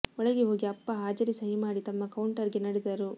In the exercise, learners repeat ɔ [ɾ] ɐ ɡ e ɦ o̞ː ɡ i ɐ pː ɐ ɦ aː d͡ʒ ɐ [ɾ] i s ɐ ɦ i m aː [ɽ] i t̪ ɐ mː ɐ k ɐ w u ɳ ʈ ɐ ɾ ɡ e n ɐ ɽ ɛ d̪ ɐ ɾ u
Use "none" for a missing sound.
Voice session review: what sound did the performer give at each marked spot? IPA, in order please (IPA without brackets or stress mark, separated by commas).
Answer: ɭ, ɾ, ɽ